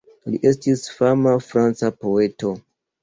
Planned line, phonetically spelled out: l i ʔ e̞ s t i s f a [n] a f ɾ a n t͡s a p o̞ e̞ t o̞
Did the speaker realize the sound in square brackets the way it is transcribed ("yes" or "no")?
no